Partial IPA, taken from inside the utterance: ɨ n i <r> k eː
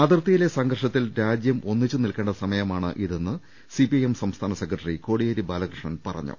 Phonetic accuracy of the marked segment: incorrect: l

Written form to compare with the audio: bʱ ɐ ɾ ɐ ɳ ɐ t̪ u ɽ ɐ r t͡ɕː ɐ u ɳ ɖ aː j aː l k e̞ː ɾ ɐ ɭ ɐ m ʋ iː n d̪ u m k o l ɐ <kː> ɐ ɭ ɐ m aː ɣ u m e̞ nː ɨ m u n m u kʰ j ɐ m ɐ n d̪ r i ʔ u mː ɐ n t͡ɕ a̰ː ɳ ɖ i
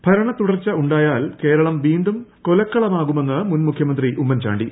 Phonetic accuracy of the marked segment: correct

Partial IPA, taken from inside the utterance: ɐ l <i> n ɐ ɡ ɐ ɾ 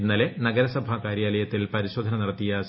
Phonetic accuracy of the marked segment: incorrect: e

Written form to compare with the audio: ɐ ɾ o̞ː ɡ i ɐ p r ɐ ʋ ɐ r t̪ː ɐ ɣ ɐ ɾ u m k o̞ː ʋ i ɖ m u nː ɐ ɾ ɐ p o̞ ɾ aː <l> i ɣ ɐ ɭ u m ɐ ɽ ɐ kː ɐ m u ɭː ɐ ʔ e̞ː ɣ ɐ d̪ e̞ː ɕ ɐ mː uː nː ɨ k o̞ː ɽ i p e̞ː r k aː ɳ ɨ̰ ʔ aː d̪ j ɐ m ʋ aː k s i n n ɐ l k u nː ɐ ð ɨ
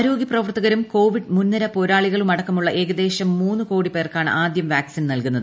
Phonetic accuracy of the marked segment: incorrect: ɭ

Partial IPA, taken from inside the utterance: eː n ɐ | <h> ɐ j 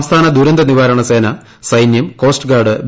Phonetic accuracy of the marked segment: incorrect: s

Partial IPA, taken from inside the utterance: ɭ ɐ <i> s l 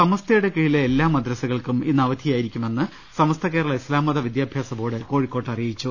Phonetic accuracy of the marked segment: correct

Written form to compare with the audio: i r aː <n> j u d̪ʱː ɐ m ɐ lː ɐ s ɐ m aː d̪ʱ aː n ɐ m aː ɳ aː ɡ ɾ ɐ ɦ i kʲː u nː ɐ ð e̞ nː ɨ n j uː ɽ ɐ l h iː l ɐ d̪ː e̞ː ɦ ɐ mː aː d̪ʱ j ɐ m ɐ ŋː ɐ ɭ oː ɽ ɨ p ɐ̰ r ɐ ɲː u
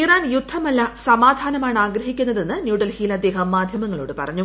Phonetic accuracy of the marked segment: correct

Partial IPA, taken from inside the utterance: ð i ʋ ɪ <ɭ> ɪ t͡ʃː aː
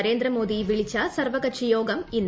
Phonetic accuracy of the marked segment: correct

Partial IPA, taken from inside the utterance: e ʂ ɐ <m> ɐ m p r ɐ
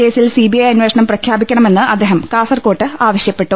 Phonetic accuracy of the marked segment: incorrect: ɳ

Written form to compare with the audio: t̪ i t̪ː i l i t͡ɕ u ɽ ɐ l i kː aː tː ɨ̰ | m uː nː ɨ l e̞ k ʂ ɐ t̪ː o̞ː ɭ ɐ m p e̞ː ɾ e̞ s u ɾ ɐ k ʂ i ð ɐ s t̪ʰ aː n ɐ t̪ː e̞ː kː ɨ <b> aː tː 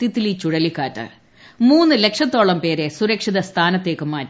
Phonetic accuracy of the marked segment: incorrect: m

